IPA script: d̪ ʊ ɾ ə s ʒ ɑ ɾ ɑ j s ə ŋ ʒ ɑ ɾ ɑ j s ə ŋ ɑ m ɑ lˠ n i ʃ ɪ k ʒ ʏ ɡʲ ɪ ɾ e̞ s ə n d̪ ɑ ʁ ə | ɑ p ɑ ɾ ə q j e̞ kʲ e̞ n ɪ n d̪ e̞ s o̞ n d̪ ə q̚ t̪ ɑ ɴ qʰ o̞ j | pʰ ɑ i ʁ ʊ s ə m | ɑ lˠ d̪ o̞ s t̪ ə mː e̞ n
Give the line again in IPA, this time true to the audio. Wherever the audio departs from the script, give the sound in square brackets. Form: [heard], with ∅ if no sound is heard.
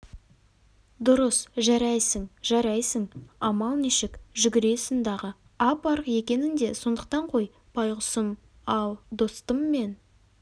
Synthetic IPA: d̪ ʊ ɾ ə s ʒ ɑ ɾ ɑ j s ə ŋ ʒ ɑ ɾ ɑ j s ə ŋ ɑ m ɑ lˠ n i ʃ ɪ k ʒ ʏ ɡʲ ɪ ɾ e̞ s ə n d̪ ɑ ʁ ə | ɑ p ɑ ɾ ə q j e̞ kʲ e̞ n ɪ n d̪ e̞ s o̞ n d̪ ə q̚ t̪ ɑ ɴ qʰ o̞ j | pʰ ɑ [j] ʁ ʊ s ə m | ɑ lˠ d̪ o̞ s t̪ ə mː e̞ n